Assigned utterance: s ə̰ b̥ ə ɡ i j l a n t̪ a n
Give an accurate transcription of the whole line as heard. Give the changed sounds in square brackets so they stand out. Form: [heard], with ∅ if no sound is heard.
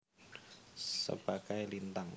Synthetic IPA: s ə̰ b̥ [a] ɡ [a] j l [i] n t̪ a [ŋ]